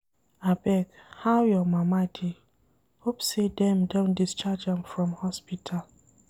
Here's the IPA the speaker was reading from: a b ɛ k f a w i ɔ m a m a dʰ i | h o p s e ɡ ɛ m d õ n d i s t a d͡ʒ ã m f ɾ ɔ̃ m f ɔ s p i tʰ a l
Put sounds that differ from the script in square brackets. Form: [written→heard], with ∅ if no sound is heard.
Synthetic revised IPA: a b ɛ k [f→h] a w [i→j] ɔ m a m a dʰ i | h o p s e [ɡ→d] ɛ m d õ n d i s [t→t͡ʃ] a d͡ʒ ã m f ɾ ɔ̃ m [f→h] ɔ s p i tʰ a l